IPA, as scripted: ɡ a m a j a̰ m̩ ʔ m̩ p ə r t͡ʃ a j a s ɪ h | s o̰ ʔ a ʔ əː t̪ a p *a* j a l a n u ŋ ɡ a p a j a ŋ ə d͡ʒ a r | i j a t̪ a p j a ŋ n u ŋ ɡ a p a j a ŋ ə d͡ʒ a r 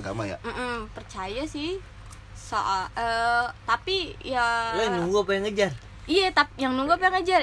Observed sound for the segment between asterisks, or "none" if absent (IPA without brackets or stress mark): i